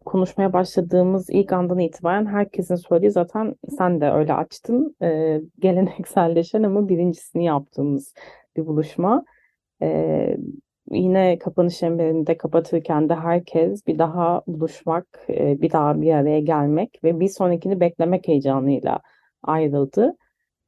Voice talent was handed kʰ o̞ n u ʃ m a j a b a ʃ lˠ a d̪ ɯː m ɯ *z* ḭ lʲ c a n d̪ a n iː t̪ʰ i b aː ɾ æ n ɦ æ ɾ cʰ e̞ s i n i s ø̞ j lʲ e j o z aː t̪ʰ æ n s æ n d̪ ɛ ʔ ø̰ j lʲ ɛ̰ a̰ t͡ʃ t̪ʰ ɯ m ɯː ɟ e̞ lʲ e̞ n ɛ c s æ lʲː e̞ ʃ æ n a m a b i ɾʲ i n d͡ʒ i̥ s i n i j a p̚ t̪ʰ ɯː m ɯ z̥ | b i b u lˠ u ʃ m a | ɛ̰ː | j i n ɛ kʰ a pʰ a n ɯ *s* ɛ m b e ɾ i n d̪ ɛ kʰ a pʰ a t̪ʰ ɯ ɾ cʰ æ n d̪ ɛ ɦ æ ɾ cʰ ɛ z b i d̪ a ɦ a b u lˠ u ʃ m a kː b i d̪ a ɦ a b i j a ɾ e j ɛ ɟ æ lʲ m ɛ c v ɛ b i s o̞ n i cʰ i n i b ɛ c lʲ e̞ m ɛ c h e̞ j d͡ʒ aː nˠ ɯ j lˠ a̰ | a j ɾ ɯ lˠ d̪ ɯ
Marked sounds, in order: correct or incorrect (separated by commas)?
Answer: correct, incorrect